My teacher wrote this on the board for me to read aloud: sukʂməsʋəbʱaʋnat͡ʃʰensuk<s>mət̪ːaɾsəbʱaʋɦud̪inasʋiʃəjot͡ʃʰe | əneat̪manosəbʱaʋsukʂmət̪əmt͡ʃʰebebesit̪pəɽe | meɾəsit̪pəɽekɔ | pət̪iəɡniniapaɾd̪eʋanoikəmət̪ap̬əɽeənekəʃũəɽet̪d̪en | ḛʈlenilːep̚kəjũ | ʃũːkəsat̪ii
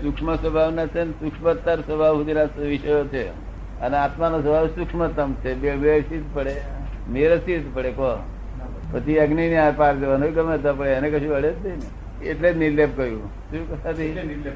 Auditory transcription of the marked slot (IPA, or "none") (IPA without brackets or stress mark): ʂ